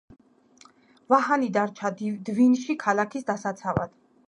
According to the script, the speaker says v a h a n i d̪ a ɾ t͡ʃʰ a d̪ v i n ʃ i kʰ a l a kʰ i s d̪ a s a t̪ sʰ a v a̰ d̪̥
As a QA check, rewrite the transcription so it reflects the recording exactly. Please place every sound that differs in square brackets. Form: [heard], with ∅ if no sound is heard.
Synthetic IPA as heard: v a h a n i d̪ a ɾ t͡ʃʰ a d̪ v i n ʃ i kʰ a l a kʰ i s d̪ a s a t̪ sʰ a v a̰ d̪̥